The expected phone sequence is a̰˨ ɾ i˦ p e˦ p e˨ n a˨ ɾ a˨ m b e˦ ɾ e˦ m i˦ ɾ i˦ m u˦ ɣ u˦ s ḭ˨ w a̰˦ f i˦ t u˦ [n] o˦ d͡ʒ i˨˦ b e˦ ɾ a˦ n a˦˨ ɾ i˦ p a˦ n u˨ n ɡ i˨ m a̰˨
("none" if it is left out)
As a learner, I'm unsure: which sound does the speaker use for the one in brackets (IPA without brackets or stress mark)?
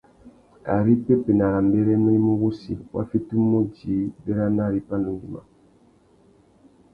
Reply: m